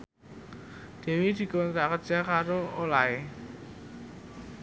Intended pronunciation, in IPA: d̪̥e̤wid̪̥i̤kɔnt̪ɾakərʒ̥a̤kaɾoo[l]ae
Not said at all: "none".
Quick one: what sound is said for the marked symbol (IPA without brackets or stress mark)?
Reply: l